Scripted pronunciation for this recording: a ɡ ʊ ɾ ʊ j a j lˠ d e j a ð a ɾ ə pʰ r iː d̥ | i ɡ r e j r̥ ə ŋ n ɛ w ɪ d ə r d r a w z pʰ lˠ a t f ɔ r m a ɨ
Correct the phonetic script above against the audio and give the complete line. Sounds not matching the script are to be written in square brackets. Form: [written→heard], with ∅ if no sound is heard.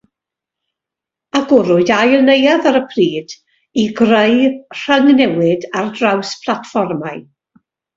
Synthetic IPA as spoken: a ɡ ʊ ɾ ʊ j a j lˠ [d→n] e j a ð a ɾ ə pʰ r iː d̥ | i ɡ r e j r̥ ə ŋ n ɛ w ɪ d [ə→a] r d r a w [z→s] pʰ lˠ a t f ɔ r m a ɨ